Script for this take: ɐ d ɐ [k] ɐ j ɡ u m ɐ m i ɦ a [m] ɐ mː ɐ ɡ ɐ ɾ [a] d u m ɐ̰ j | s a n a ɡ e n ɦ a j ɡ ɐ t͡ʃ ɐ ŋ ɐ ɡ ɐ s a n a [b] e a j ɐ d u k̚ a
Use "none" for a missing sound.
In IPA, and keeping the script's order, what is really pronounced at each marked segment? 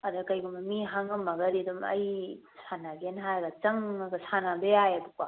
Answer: k, ŋ, i, b

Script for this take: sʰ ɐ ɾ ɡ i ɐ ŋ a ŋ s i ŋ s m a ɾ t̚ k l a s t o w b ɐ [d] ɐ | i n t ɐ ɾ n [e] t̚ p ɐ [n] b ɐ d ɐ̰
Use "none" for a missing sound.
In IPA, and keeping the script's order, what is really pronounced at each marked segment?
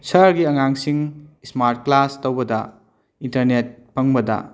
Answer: d, e, ŋ

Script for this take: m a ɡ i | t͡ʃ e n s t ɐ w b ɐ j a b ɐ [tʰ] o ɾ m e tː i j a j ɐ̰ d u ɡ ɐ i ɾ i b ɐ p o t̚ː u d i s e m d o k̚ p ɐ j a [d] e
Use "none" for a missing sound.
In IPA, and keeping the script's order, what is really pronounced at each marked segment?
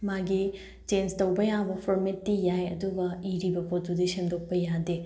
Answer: pʰ, d

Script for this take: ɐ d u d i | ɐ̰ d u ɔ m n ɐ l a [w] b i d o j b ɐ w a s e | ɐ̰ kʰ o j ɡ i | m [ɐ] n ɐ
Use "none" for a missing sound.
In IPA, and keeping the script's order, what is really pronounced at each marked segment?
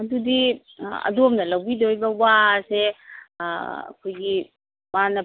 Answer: w, a

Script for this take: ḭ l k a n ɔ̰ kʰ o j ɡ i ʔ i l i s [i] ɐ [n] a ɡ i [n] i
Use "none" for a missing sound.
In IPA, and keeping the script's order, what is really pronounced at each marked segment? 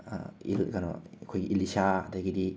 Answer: a, d, d

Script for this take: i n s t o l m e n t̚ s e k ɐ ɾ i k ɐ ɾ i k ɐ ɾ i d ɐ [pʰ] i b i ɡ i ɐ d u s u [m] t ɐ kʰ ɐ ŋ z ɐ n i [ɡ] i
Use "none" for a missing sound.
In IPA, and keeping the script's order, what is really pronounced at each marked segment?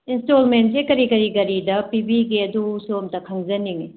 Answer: p, m, ŋ

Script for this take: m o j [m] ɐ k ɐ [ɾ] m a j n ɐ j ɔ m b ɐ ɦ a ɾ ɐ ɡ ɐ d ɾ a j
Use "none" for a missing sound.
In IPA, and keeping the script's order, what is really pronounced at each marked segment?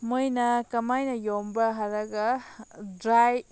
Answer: n, none

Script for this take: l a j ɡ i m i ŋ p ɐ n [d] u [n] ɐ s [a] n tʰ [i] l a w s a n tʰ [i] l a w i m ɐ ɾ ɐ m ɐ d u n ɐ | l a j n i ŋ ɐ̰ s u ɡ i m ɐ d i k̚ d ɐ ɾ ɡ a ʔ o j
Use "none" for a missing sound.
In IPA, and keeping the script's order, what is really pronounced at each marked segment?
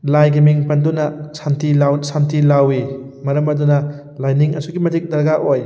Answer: d, n, a, i, i

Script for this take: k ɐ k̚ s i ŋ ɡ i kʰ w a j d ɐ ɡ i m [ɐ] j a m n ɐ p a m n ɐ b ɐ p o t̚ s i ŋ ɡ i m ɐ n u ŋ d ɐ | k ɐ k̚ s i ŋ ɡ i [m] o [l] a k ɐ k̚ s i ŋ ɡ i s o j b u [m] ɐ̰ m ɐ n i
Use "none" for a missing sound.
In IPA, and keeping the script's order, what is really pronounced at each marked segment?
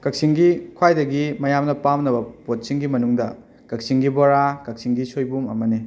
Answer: ɐ, b, ɾ, m

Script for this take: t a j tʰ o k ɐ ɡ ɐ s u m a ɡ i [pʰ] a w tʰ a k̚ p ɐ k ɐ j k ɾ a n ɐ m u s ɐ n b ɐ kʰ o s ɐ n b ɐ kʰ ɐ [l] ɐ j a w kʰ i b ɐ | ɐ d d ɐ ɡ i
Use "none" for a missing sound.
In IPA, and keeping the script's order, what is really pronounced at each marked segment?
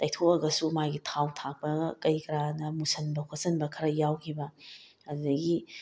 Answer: tʰ, ɾ

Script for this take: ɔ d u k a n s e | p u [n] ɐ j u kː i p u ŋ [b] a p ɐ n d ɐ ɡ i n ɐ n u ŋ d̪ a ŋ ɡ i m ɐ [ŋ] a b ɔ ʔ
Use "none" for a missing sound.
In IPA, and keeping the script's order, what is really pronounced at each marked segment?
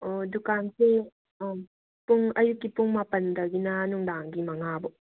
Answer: ŋ, m, ŋ

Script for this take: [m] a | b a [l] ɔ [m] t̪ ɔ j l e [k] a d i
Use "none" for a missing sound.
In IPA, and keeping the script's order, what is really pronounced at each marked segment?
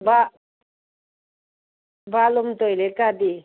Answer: b, l, m, k

